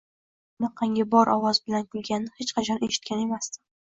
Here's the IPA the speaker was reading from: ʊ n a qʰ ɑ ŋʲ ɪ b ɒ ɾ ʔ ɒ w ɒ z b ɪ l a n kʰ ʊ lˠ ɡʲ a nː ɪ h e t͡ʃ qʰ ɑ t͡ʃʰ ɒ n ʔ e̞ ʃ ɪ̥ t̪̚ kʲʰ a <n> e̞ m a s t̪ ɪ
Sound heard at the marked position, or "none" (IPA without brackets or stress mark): n